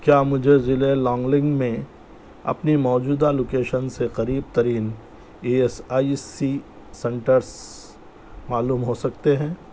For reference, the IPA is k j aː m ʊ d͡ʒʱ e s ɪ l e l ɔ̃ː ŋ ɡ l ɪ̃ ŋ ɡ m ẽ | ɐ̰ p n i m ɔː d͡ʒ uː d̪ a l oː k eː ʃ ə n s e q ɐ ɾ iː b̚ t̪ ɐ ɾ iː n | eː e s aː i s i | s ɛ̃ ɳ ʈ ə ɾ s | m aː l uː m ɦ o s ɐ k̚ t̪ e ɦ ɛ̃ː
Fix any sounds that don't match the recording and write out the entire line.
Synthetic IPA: k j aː m ʊ d͡ʒʱ e z ɪ l e l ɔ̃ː ŋ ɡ l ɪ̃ ŋ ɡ m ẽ | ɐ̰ p n i m ɔː d͡ʒ uː d̪ a l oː k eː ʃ ə n s e q ɐ ɾ iː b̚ t̪ ɐ ɾ iː n | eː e s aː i s i | s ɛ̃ ɳ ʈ ə ɾ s | m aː l uː m ɦ o s ɐ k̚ t̪ e ɦ ɛ̃ː